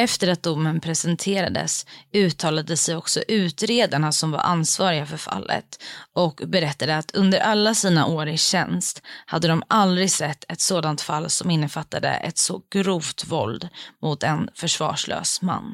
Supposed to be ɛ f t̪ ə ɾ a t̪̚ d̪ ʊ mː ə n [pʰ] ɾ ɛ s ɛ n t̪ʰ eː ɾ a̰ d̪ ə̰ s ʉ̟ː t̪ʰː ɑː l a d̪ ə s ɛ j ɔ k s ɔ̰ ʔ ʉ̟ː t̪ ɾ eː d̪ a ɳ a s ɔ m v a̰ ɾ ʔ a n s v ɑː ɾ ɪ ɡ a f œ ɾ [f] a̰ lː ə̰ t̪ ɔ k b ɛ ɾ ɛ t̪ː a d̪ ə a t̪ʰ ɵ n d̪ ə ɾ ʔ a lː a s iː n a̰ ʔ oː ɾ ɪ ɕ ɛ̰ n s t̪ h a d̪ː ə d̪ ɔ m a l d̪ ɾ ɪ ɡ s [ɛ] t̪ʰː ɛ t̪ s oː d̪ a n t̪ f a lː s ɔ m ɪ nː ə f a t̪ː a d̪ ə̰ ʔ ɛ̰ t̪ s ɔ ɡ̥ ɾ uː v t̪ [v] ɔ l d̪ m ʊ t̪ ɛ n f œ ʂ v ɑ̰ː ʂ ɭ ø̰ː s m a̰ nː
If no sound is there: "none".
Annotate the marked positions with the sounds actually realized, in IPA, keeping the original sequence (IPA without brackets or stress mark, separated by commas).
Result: pʰ, f, ɛ, v